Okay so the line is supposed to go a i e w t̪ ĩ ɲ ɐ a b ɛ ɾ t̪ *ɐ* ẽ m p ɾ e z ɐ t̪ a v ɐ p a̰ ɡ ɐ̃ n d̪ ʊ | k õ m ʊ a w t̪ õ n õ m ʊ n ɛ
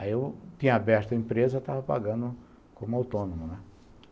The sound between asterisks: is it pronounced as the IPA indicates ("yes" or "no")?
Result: yes